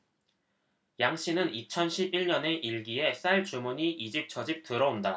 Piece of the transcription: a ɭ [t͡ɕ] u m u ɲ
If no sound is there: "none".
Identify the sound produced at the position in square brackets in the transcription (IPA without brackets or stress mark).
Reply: t͡ɕ